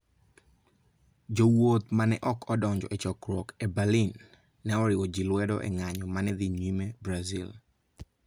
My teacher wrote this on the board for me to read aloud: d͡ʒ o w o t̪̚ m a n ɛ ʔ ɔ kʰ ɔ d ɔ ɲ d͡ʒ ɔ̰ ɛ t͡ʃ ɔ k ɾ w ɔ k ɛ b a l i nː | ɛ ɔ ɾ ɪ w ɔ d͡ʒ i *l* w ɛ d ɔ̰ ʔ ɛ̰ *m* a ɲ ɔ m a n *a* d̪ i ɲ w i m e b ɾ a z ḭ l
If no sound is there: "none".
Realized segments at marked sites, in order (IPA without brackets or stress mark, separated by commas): l, ŋ, ɛ